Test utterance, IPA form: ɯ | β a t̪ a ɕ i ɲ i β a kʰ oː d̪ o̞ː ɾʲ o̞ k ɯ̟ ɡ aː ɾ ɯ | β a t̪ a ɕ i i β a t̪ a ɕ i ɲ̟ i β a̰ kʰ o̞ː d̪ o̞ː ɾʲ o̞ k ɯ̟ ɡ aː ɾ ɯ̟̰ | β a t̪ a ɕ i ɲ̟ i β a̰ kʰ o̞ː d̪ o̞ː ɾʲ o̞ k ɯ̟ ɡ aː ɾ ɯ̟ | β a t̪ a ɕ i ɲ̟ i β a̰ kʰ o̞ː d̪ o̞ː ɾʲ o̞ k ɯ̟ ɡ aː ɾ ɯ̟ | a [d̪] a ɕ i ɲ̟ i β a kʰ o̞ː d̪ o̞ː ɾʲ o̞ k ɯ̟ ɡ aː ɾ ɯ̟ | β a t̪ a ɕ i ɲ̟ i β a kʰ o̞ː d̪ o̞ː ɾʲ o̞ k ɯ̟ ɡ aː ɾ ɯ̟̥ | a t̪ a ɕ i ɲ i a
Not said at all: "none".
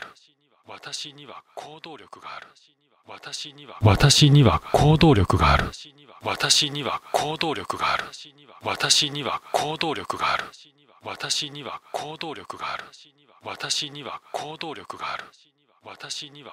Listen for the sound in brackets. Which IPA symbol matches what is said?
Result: t̪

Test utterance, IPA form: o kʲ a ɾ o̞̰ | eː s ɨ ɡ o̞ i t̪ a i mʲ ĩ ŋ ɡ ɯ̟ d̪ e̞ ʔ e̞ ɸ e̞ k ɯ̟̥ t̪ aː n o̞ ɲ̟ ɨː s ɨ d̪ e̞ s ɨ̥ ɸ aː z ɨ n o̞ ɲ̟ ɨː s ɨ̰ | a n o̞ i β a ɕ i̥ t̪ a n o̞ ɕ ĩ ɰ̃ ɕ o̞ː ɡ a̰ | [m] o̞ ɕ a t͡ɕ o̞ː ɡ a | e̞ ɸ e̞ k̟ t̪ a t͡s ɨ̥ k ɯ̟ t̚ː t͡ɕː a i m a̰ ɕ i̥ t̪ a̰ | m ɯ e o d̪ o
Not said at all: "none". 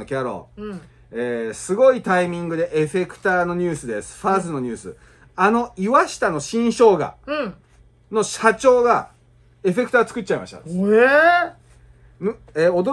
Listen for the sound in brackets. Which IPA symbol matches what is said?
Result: n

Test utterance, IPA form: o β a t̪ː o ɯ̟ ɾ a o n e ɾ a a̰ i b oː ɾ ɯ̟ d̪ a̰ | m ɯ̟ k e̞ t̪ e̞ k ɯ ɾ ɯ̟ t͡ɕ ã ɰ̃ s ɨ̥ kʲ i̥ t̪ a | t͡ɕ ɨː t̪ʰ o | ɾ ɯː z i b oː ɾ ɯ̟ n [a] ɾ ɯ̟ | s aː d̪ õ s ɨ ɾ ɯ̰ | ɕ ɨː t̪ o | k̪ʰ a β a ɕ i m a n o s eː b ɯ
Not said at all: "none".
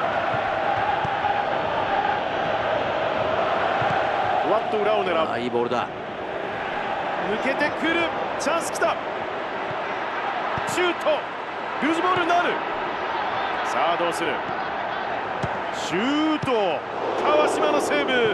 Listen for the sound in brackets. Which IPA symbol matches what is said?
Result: a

